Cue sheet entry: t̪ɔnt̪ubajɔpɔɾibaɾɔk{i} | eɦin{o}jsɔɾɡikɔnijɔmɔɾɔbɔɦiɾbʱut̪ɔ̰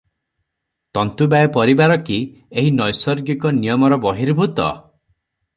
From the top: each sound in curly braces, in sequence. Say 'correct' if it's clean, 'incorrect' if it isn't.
correct, incorrect

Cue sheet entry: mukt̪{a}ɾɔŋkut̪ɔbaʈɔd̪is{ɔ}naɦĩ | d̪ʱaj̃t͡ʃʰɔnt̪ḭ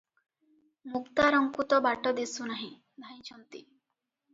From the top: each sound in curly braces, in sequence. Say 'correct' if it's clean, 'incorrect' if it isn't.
correct, incorrect

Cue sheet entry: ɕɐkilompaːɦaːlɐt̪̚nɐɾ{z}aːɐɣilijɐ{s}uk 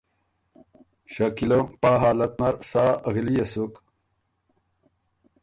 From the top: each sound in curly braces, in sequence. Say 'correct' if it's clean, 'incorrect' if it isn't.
incorrect, correct

